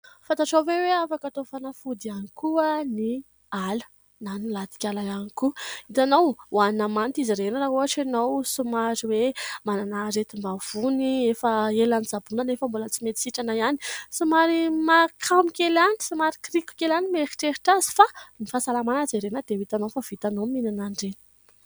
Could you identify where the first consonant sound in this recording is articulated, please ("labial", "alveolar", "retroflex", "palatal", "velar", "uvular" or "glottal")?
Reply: labial